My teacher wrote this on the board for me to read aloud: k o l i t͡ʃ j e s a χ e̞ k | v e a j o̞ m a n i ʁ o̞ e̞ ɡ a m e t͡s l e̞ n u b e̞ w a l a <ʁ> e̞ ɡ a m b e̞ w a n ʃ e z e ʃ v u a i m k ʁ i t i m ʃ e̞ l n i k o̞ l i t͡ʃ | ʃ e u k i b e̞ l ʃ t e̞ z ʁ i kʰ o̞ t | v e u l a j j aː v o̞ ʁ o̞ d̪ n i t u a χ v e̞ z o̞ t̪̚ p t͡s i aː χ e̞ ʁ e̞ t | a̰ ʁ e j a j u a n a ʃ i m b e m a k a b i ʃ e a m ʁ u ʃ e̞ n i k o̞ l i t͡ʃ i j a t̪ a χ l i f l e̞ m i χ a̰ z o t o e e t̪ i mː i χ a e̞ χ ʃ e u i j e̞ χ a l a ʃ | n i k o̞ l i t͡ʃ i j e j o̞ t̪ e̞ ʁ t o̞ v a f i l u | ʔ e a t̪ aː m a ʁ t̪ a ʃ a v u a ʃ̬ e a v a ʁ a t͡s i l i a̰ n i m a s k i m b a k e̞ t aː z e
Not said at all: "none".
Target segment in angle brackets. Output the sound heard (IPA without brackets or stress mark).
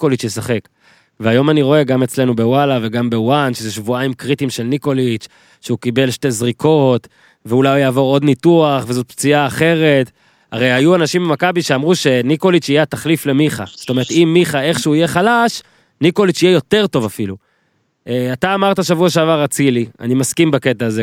v